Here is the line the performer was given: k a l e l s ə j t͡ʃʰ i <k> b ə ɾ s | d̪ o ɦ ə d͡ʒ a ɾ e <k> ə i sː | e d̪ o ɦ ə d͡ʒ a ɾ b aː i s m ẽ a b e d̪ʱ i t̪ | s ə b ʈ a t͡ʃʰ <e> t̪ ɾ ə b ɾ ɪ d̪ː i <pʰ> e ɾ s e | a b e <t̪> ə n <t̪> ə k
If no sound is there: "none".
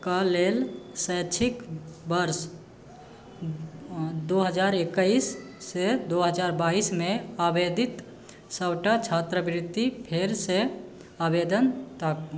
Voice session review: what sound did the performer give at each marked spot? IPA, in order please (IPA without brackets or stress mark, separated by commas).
k, k, a, pʰ, d̪, t̪